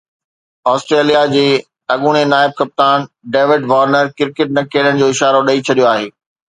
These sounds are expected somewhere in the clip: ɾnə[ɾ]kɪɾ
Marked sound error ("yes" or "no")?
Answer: no